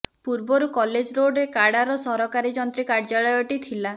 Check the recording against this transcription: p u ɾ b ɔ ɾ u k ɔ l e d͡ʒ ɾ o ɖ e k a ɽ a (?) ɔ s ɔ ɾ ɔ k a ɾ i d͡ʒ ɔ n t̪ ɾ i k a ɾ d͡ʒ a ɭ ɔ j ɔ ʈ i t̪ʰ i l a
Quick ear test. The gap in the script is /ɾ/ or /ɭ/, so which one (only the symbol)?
ɾ